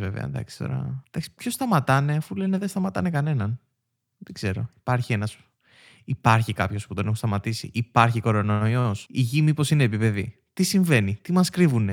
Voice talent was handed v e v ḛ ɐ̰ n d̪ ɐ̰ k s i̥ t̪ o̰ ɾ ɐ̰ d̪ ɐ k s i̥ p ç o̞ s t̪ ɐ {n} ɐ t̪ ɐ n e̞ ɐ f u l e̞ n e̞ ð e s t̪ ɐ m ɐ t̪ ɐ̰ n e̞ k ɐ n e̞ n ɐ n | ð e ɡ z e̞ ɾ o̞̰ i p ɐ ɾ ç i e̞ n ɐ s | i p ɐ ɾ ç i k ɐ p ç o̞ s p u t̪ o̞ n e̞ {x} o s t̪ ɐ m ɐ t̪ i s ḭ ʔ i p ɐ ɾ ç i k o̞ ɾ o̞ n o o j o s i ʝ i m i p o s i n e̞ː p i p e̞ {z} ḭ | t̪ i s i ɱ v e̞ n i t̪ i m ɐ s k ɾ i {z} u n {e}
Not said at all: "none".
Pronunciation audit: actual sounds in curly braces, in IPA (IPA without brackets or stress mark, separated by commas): m, x, ð, v, e